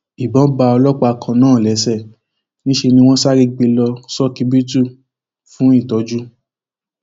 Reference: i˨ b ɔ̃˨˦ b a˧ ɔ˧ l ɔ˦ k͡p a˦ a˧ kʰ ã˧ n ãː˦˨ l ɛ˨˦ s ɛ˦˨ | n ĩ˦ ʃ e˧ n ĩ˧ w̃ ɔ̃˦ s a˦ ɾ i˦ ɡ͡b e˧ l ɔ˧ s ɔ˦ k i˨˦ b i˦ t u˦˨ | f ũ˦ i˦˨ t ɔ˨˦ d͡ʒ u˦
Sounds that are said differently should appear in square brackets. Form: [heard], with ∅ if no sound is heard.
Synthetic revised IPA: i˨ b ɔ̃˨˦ b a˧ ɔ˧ l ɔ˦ k͡p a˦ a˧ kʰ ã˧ n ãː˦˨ l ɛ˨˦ s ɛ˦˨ | n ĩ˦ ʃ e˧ n ĩ˧ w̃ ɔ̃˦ s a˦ ɾ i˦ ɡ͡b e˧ l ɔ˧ s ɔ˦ k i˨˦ b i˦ t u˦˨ | f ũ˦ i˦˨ t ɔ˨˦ d͡ʒ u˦